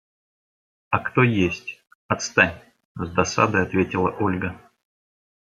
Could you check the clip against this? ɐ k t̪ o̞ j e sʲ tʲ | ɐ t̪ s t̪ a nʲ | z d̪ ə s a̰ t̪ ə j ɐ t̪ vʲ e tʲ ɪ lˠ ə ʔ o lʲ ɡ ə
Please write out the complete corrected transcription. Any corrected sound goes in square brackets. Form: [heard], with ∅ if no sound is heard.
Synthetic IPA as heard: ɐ k t̪ o̞ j e sʲ tʲ | ɐ t̪ s t̪ a nʲ | z d̪ [ɐ] s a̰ [d̪] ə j ɐ t̪ vʲ e tʲ ɪ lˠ ə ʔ o lʲ ɡ ə